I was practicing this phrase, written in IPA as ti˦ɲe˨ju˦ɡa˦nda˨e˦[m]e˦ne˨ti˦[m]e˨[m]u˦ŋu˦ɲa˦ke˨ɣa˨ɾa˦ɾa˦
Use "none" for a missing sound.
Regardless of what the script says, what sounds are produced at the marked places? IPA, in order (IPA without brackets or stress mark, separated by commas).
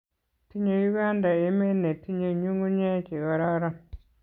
m, ɲ, ɲ